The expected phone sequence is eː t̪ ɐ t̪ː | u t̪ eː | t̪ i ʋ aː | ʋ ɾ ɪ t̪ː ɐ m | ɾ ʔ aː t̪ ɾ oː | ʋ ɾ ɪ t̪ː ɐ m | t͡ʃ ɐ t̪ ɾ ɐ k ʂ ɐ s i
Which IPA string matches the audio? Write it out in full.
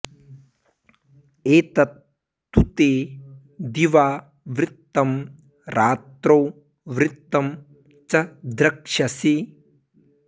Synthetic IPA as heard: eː t̪ ɐ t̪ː | u t̪ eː | d̪ i ʋ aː | ʋ ɾ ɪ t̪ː ɐ m | ɾ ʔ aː t̪ ɾ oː | ʋ ɾ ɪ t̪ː ɐ m | t͡ʃ ɐ d̪ ɾ ɐ k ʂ ɐ s i